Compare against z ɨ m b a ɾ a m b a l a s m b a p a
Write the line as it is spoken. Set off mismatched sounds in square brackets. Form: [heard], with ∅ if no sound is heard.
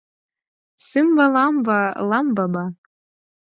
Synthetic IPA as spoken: [s] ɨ m b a [l] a m b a l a [∅] m b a [b] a